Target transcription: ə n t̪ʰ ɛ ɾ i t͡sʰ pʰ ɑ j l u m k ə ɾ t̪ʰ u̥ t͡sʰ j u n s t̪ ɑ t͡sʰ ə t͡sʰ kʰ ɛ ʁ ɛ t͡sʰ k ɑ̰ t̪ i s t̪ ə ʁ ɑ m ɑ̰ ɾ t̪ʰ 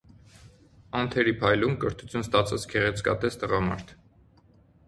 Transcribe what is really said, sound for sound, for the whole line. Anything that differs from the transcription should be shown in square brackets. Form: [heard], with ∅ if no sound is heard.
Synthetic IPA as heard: [ɑ] n t̪ʰ ɛ ɾ i [∅] pʰ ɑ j l u m k ə ɾ t̪ʰ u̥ t͡sʰ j u n s t̪ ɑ t͡sʰ [ɑ] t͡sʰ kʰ ɛ ʁ ɛ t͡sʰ k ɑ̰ t̪ [ɛ] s t̪ ə ʁ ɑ m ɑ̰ ɾ t̪ʰ